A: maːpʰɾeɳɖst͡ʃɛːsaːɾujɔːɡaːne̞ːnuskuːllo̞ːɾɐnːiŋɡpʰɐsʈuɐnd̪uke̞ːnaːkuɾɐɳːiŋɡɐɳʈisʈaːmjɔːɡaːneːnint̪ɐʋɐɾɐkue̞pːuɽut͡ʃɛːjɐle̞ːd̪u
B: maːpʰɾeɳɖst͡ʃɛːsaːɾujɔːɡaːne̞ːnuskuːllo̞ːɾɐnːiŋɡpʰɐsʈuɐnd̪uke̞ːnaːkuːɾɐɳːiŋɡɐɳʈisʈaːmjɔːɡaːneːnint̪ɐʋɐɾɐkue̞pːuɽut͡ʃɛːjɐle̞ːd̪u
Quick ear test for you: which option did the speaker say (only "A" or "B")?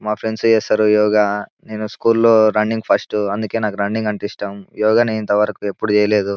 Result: A